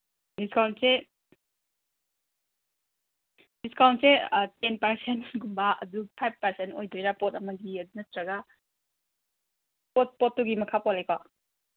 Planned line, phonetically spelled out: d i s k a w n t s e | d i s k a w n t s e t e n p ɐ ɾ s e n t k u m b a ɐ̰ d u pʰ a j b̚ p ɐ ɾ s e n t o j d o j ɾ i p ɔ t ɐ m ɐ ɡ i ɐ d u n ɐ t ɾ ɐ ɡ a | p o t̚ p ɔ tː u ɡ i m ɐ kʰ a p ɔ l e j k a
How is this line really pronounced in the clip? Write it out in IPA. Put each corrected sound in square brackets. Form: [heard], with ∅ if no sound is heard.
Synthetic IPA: d i s k a w n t s e | d i s k a w n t s e t e n p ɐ ɾ s e n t [ɡ] u m b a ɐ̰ d u pʰ a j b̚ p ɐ ɾ s e n t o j d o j ɾ [a] p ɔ t ɐ m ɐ ɡ i ɐ d u n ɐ t ɾ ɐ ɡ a | p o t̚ p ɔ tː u ɡ i m ɐ kʰ a p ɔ l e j k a